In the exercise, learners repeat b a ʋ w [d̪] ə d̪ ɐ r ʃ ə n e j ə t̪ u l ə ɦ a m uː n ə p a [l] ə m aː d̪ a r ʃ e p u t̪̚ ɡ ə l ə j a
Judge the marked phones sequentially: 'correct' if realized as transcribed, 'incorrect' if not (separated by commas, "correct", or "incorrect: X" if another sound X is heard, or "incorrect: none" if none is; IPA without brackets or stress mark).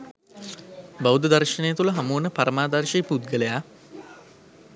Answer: correct, incorrect: ɾ